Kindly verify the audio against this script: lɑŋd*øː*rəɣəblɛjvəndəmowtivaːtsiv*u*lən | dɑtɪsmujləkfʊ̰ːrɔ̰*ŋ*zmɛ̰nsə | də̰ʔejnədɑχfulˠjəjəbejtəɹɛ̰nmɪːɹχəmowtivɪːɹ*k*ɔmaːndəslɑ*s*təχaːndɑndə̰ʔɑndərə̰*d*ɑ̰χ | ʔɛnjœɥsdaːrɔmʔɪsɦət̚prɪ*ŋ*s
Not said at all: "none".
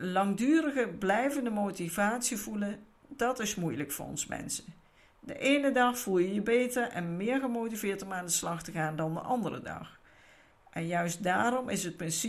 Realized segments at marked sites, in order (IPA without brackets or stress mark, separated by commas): yː, u, n, t, χ, d, n